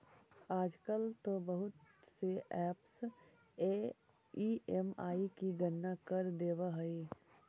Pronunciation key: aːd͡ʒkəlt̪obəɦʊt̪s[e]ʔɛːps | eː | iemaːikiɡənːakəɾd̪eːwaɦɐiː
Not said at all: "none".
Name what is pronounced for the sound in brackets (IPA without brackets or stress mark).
e